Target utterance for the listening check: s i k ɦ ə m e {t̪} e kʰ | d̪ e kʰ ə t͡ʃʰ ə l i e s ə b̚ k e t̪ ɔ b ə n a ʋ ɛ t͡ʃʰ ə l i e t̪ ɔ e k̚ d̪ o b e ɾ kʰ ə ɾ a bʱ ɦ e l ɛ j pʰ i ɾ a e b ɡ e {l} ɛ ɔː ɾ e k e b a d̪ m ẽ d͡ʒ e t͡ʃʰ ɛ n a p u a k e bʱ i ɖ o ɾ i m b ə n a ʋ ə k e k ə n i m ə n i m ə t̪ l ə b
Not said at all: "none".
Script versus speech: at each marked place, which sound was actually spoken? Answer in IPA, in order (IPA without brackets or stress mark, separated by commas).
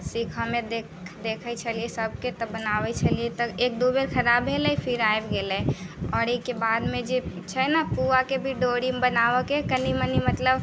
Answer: d̪, l